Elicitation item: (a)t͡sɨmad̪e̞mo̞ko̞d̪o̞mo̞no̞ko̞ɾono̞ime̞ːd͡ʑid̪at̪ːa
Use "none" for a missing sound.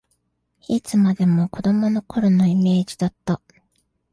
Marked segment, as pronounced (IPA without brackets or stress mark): i